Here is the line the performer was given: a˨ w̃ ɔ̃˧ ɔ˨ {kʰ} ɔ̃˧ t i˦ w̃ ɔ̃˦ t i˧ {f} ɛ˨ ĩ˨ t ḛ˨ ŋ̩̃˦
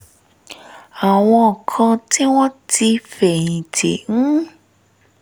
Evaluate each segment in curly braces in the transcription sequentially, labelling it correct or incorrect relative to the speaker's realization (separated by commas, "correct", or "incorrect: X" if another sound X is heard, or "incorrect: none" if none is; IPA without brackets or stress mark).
correct, correct